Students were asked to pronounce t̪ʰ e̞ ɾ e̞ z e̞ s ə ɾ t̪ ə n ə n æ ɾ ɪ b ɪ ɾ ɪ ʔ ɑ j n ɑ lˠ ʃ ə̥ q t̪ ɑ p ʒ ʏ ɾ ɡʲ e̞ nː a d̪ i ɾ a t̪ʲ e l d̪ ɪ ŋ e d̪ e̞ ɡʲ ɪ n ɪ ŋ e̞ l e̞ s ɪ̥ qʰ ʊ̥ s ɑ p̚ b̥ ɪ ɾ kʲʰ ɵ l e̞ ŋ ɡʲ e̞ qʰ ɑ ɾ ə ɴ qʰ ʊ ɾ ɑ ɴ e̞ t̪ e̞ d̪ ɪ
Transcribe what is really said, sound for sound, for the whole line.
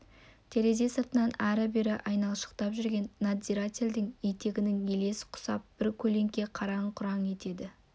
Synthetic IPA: t̪ʰ e̞ ɾ e̞ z e̞ s ə ɾ t̪ ə n ɑ n æ ɾ ɪ b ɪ ɾ ɪ ʔ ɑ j n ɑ lˠ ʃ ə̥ q t̪ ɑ p ʒ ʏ ɾ ɡʲ e̞ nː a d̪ i ɾ a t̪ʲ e l d̪ ɪ ŋ e t̪ e̞ ɡʲ ɪ n ɪ ŋ e̞ l e̞ s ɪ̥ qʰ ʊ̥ s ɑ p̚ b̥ ɪ ɾ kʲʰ ɵ l e̞ ŋ kʲ e̞ qʰ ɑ ɾ ɑ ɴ qʰ ʊ ɾ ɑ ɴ e̞ t̪ e̞ d̪ ɪ

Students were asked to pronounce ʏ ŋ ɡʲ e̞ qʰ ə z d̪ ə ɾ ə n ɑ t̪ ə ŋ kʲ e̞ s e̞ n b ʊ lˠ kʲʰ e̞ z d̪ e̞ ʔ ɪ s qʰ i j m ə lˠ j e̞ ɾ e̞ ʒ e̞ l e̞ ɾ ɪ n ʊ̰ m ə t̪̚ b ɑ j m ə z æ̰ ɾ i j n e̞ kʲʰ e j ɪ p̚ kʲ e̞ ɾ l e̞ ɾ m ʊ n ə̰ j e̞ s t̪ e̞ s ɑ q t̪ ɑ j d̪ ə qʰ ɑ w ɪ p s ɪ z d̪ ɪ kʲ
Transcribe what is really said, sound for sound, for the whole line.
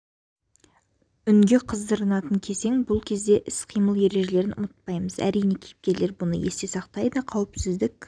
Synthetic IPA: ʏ ŋ ɡʲ e̞ qʰ ə z d̪ ə ɾ ə n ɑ t̪ ə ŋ kʲʰ e̞ s e̞ ŋ b ʊ lˠ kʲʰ e̞ z d̪ e̞ ʔ ɪ s qʰ i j m ə lˠ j e̞ ɾ e̞ ʒ e̞ l e̞ ɾ ɪ n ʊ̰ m ə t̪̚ p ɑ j m ə z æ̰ ɾ i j n e̞ kʲʰ e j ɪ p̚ kʲ e̞ ɾ l e̞ ɾ b ʊ n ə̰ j e̞ s t̪ e̞ s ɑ q t̪ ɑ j d̪ ə qʰ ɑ w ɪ p s ɪ z d̪ ɪ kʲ

